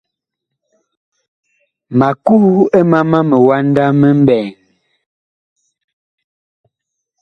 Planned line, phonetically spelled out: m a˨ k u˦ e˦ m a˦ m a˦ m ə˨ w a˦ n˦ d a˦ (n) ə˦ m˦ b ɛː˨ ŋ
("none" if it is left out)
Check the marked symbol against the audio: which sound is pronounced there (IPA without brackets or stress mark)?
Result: m